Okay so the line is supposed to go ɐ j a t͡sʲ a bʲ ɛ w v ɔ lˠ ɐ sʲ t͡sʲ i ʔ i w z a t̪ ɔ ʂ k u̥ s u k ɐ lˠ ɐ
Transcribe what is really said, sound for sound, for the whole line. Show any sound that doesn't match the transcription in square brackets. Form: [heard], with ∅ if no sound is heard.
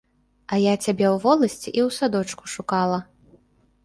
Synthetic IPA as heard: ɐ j a t͡sʲ a bʲ ɛ w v ɔ lˠ ɐ sʲ t͡sʲ i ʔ i w [s] a [d̪] ɔ [t͡ʂ] k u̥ [ʂ] u k [a] lˠ ɐ